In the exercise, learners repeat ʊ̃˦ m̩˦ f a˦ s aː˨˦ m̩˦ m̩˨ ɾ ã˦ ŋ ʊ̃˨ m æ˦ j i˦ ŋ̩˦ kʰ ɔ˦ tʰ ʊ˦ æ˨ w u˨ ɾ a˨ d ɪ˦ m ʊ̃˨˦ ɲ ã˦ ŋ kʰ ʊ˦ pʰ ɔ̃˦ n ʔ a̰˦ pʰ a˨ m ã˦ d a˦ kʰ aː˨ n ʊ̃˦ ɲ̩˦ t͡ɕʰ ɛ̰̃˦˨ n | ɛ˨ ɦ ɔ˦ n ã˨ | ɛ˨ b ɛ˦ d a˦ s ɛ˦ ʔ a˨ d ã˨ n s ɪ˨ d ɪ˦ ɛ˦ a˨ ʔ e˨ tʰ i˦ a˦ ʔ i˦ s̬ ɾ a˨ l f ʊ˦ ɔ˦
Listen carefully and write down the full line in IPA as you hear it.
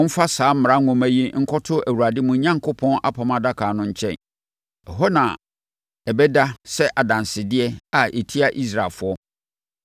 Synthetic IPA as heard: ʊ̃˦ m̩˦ f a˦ s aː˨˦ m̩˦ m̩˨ ɾ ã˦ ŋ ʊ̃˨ m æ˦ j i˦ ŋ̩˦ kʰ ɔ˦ tʰ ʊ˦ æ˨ w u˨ ɾ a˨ d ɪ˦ m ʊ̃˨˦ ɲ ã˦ ŋ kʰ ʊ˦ pʰ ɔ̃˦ n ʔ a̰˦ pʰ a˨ m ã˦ d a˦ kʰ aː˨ n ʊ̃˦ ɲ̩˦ t͡ɕʰ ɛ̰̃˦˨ n | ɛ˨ ɦ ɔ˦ n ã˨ | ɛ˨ b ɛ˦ d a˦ s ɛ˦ ʔ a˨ d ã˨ n s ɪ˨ d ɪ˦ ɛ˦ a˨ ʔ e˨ tʰ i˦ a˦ ʔ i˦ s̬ ɾ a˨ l f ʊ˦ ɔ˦